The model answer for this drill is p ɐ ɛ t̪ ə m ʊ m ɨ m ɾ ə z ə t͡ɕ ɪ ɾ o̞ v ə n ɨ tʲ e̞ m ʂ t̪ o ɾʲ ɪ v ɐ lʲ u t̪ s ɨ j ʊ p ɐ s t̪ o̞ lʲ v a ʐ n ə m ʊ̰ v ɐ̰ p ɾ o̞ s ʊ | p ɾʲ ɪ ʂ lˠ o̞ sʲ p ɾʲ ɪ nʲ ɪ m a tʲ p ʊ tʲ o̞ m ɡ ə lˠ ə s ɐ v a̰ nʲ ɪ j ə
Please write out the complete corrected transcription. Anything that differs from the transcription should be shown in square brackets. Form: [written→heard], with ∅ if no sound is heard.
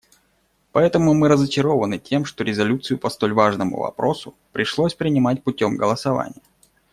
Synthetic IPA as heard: p ɐ ɛ t̪ ə m ʊ m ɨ [m→∅] ɾ ə z ə t͡ɕ ɪ ɾ o̞ v ə n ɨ tʲ e̞ m ʂ t̪ o ɾʲ ɪ [v→z] ɐ lʲ u t̪ s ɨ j ʊ p ɐ s t̪ o̞ lʲ v a ʐ n ə m ʊ̰ v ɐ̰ p ɾ o̞ s ʊ | p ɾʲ ɪ ʂ lˠ o̞ sʲ p ɾʲ ɪ nʲ ɪ m a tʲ p ʊ tʲ o̞ m ɡ ə lˠ ə s ɐ v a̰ nʲ ɪ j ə